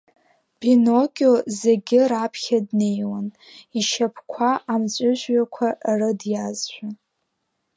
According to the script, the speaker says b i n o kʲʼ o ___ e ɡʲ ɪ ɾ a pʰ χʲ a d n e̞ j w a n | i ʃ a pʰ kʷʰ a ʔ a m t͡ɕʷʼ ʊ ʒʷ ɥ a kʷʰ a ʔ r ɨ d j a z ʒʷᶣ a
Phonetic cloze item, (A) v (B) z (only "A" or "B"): B